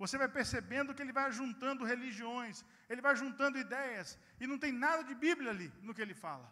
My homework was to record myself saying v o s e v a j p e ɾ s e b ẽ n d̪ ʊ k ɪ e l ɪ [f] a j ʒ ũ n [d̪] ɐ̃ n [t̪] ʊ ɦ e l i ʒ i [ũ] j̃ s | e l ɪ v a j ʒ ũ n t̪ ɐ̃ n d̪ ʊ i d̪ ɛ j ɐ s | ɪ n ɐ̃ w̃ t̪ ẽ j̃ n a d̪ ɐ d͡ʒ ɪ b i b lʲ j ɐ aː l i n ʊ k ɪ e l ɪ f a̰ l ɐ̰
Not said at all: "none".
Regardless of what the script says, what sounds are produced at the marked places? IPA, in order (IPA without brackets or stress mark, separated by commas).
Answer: v, t̪, d̪, õ